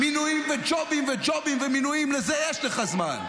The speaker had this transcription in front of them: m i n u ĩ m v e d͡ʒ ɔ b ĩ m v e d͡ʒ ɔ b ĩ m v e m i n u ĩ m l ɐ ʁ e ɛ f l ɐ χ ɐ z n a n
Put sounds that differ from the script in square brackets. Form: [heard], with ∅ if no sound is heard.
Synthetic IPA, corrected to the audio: m i n u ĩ m v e d͡ʒ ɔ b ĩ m v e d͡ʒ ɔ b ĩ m v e m i n u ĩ m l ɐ [z] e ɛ [ʃ] l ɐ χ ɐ z [m] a n